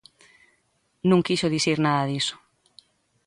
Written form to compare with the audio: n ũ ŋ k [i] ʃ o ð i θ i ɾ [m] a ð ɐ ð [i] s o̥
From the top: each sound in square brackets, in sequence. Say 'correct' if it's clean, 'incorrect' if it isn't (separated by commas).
correct, incorrect, correct